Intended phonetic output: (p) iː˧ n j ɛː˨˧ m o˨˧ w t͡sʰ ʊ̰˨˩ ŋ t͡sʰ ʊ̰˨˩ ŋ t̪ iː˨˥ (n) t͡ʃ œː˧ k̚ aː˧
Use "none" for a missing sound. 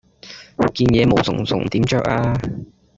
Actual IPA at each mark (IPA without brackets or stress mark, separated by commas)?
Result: k, m